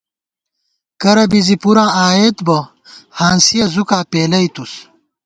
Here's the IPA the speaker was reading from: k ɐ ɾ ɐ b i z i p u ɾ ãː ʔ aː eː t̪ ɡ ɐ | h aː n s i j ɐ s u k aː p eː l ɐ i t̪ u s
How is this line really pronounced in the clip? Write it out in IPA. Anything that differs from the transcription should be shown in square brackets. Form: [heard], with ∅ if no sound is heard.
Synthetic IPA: k ɐ ɾ ɐ b i z i p u ɾ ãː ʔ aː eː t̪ [b] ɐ | h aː n s i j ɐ [z] u k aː p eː l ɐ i t̪ u s